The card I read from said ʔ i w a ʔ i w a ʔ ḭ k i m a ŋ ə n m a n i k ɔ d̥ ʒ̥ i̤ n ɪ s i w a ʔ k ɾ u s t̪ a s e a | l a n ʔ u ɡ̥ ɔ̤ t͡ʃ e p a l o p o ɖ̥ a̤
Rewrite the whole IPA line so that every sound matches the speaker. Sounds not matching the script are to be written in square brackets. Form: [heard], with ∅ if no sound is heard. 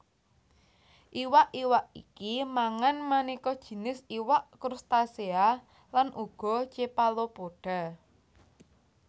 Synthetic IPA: ʔ i w a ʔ i w a ʔ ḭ k i m a ŋ [a] n m a n i k ɔ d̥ ʒ̥ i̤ n ɪ s i w a ʔ k ɾ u s t̪ a s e a | l a n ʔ u ɡ̥ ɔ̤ t͡ʃ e p a l o p o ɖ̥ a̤

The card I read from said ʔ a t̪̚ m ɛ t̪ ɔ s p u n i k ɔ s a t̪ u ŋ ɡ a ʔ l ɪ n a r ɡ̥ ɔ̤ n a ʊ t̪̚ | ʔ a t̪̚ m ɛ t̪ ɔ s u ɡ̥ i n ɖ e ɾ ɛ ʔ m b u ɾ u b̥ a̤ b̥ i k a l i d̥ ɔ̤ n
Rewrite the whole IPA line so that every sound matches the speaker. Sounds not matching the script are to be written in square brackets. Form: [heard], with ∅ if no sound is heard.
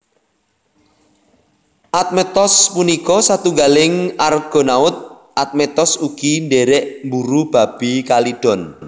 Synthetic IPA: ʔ a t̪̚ m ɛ t̪ ɔ s p u n i k ɔ s a t̪ u ŋ ɡ a [∅] l ɪ [ŋ] a r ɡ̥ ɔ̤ n a ʊ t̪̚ | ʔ a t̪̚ m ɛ t̪ ɔ s u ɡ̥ i n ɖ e ɾ ɛ ʔ m b u ɾ u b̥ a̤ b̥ i k a l i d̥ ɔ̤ n

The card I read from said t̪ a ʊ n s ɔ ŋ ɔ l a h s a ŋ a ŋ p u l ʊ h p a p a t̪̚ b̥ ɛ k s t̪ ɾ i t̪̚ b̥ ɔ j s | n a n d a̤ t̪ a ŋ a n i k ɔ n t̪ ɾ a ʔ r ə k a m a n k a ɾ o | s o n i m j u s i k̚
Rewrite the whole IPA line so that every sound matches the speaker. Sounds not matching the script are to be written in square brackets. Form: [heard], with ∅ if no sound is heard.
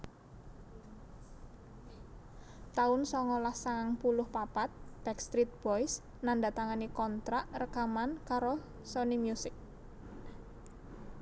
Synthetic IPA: t̪ a ʊ n s ɔ ŋ ɔ l a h s a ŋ a ŋ p u l ʊ h p a p a t̪̚ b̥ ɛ k s t̪ ɾ i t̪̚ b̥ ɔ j s | n a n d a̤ t̪ a ŋ a n i k ɔ n t̪ ɾ a ʔ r ə k a m a n k a ɾ o | s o n i m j u s [ɪ] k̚

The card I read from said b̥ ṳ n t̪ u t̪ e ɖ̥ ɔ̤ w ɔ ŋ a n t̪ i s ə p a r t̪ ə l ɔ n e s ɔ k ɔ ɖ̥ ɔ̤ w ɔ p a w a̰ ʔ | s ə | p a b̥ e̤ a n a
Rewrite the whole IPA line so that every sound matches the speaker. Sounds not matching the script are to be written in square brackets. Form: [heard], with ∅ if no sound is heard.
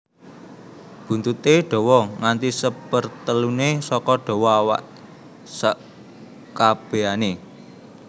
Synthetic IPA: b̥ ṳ n t̪ u t̪ e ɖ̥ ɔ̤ w ɔ ŋ a n t̪ i s ə p [ə] r t̪ ə l [u] n e s ɔ k ɔ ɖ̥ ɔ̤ w ɔ [∅] a w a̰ ʔ | s ə | [k] a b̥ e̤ a n [e]

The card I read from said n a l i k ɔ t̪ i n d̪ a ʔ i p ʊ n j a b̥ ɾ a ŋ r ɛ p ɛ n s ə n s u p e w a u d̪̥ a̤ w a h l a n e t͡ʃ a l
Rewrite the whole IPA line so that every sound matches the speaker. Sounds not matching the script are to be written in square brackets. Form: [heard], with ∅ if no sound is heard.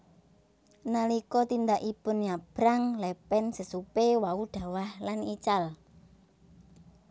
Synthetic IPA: n a l i k ɔ t̪ i n d̪ a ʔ i p ʊ n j a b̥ ɾ a ŋ [l] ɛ p ɛ n s ə [∅] s u p e w a u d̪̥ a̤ w a h l a n [i] t͡ʃ a l

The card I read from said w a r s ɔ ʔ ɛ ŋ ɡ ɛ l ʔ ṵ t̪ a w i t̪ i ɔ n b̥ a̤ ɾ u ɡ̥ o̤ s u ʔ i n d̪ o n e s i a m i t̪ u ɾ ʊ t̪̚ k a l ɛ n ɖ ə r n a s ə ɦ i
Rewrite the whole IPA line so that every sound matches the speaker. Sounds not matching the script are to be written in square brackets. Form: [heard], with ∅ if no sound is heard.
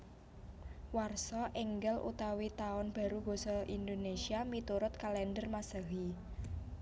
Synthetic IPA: w a r s ɔ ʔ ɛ ŋ ɡ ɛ l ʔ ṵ t̪ a w i t̪ [a] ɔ n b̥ a̤ ɾ u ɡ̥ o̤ s [ɔ] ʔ i n d̪ o n e s i a m i t̪ u ɾ ʊ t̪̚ k a l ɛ n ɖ ə r [m] a s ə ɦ i

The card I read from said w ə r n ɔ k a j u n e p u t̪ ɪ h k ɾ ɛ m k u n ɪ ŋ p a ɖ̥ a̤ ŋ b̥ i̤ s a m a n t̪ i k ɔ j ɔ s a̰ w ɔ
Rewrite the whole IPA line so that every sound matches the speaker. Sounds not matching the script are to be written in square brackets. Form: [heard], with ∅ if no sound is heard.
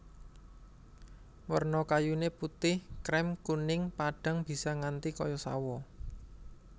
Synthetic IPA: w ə r n ɔ k a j u n e p u t̪ ɪ h k ɾ ɛ m k u n ɪ ŋ p a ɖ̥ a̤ ŋ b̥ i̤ s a [ŋ] a n t̪ i k ɔ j ɔ s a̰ w ɔ

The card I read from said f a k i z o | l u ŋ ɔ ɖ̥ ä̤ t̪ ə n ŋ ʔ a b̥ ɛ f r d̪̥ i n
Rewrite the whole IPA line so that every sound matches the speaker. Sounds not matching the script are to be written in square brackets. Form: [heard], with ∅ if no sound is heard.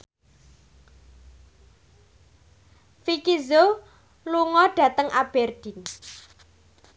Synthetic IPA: f [i] k i z o | l u ŋ ɔ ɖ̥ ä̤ t̪ ə [∅] ŋ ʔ a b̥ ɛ [∅] r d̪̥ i n

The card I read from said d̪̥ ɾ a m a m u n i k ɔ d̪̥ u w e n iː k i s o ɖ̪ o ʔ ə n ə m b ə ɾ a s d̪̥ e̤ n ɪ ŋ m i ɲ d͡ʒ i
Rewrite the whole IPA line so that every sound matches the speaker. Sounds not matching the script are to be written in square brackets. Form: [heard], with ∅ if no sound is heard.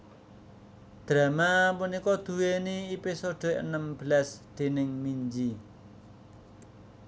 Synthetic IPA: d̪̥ ɾ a m a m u n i k ɔ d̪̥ u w e n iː [p] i s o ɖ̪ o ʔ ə n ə m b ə [l] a s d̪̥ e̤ n ɪ ŋ m i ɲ d͡ʒ i

